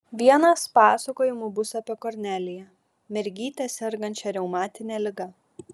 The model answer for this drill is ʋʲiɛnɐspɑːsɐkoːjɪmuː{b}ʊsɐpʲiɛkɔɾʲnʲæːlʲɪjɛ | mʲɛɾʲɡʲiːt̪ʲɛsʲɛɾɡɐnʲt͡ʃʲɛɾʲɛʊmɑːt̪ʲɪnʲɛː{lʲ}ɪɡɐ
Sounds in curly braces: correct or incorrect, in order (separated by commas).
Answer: correct, correct